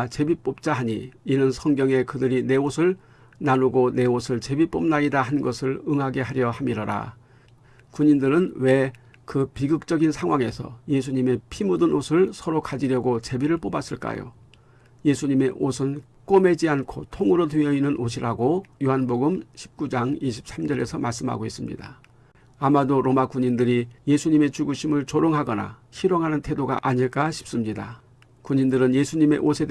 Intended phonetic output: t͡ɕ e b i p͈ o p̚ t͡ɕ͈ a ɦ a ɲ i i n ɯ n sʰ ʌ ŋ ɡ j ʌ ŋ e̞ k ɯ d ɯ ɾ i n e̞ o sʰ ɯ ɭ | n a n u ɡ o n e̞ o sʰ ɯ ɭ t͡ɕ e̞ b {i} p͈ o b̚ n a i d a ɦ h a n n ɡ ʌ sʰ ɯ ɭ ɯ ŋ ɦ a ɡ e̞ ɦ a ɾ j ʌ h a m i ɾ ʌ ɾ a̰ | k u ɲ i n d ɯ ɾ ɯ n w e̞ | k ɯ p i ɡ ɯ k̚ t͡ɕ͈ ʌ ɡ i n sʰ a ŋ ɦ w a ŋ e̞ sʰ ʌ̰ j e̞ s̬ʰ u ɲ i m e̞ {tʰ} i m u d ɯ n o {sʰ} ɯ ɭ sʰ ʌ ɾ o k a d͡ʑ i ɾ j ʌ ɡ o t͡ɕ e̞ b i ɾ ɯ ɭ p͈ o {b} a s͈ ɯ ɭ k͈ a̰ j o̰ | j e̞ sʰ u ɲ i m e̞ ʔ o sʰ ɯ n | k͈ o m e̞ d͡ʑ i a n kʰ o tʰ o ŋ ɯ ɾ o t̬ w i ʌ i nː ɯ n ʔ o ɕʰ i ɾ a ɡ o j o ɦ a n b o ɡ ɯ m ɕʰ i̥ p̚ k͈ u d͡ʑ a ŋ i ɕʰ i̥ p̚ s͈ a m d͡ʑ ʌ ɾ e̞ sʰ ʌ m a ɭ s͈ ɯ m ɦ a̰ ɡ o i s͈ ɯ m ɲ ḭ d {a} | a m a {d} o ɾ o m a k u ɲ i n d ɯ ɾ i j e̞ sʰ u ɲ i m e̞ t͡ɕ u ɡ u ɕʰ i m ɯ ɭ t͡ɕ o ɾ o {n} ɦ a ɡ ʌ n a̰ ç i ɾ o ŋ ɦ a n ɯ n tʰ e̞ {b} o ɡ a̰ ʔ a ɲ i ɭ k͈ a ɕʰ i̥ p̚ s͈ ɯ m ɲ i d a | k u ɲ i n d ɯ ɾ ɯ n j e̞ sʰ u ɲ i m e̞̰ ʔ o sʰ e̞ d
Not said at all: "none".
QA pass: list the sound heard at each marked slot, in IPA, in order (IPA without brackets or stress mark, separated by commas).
i, pʰ, sʰ, b, a, d, ŋ, d